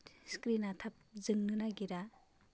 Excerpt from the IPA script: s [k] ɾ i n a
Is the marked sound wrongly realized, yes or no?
no